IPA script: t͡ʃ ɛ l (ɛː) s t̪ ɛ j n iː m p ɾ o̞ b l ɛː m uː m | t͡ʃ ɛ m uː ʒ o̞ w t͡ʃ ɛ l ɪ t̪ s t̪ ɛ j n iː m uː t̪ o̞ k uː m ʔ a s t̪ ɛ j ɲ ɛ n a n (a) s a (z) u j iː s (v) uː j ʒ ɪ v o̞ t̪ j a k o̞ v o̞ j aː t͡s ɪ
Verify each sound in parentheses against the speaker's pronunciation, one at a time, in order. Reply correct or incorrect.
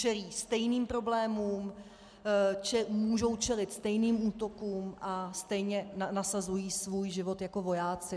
incorrect: iː, correct, correct, correct

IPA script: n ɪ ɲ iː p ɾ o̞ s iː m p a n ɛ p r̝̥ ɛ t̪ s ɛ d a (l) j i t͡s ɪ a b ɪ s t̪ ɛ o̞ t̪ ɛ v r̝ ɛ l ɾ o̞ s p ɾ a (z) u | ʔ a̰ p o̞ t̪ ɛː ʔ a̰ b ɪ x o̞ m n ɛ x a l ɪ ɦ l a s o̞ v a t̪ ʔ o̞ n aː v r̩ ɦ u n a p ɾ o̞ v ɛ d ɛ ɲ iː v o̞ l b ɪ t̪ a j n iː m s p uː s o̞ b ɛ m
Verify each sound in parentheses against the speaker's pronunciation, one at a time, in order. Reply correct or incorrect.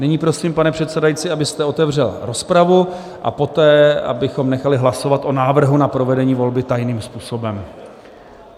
incorrect: none, incorrect: v

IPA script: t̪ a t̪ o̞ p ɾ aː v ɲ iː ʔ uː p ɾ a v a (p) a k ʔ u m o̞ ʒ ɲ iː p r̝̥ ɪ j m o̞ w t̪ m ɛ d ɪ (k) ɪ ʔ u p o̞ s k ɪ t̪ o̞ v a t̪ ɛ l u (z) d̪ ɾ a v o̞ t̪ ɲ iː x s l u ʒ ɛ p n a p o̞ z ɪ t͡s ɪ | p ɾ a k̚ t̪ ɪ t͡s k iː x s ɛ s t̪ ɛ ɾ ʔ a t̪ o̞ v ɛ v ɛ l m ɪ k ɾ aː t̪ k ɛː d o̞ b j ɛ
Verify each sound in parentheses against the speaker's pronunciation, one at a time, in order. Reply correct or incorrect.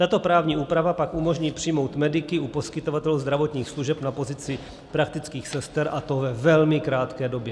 correct, correct, correct

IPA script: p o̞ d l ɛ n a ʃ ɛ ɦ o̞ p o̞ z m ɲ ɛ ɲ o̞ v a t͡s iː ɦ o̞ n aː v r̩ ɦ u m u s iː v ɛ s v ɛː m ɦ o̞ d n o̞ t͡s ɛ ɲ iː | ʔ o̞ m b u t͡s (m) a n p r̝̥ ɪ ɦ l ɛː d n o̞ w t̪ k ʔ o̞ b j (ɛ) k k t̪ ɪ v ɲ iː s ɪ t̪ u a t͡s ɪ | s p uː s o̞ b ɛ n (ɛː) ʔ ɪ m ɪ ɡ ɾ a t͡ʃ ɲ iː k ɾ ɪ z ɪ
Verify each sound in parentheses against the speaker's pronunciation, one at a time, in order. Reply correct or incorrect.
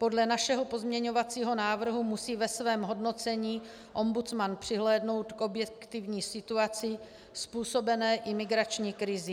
correct, correct, correct

